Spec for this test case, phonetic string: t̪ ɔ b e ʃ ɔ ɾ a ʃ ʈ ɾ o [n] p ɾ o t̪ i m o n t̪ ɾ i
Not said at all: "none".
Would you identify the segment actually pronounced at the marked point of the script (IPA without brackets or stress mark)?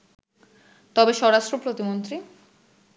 none